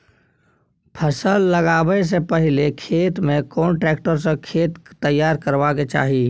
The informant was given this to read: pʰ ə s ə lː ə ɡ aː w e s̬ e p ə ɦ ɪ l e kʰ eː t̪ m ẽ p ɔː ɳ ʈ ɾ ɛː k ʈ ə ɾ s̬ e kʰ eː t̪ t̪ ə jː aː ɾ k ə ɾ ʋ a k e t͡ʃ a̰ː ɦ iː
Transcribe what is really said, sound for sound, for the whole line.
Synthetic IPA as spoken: pʰ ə s ə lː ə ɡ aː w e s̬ e p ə ɦ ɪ l e kʰ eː t̪ m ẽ k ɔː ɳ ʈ ɾ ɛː k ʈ ə ɾ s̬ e kʰ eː t̪ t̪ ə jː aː ɾ k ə ɾ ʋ a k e t͡ʃ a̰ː ɦ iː